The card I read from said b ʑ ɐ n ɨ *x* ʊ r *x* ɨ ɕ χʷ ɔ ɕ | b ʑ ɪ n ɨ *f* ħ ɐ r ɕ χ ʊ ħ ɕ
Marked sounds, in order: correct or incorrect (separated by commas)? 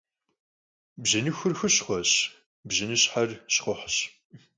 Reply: correct, correct, incorrect